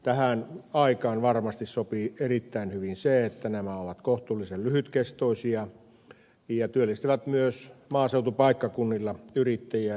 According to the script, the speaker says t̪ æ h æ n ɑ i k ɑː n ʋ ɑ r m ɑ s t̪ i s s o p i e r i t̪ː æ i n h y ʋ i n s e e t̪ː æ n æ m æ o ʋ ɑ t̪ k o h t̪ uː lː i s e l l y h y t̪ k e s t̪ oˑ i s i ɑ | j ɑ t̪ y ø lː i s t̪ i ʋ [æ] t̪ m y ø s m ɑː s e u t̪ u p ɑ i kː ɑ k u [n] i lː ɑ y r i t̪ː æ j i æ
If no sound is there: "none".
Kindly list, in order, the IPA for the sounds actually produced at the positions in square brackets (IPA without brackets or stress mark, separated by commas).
æ, nː